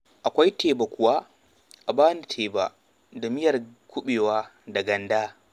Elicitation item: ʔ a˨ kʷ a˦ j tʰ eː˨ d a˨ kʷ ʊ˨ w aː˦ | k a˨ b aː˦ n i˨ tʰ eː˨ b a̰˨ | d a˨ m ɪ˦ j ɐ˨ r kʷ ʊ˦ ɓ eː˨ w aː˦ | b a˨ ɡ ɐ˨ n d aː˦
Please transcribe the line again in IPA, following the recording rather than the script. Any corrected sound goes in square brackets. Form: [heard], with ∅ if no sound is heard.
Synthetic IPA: ʔ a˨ kʷ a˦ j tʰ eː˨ [b] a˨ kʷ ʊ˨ w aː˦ | [ʔ] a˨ b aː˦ n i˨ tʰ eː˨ b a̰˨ | d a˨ m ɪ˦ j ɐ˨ r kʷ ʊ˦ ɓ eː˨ w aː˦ | [d] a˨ ɡ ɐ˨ n d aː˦